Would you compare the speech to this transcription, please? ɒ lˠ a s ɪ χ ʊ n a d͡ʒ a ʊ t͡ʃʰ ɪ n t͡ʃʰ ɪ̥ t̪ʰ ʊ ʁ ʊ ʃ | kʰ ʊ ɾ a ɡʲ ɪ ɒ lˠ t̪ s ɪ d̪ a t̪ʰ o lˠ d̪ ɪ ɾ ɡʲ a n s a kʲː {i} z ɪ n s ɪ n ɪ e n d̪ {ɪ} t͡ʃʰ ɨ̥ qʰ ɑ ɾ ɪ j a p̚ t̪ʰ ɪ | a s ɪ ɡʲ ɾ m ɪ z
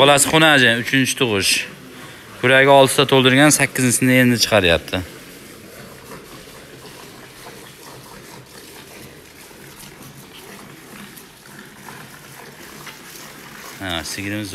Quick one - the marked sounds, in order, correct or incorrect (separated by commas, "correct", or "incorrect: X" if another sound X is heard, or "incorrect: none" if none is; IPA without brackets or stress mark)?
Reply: incorrect: ɪ, correct